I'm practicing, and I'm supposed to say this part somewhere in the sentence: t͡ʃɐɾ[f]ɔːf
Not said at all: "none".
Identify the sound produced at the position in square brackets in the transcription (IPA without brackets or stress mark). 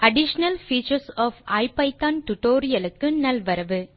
s